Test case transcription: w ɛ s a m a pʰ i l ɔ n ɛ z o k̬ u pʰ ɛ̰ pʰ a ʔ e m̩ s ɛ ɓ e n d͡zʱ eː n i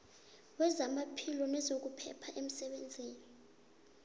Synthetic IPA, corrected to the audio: w ɛ z a m a pʰ i l ɔ n ɛ z o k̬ u pʰ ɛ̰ pʰ a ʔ e m̩ s ɛ ɓ e n d͡zʱ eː n i